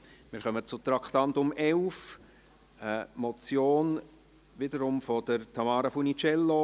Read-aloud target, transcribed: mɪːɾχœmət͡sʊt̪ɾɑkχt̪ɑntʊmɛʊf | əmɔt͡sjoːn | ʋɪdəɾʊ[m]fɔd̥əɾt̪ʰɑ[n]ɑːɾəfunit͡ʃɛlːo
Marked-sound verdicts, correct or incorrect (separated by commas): correct, incorrect